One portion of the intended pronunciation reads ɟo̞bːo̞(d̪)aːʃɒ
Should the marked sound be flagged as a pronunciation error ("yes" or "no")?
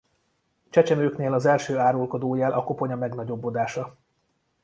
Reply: no